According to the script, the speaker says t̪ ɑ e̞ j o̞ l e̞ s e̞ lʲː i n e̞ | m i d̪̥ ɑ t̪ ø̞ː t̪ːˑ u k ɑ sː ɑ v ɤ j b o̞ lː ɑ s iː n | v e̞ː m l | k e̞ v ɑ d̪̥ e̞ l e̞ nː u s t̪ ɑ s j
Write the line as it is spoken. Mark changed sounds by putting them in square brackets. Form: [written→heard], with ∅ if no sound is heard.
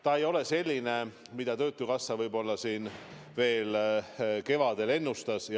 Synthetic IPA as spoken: t̪ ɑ e̞ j o̞ l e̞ s e̞ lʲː i n e̞ | m i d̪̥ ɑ t̪ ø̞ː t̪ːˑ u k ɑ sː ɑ v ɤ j b o̞ lː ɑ s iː n | v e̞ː [m→∅] l | k e̞ v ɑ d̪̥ e̞ l e̞ nː u s t̪ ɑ s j